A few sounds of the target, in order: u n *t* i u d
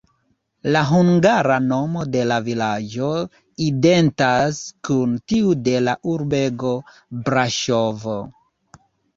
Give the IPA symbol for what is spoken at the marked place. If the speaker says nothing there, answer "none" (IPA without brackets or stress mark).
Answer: t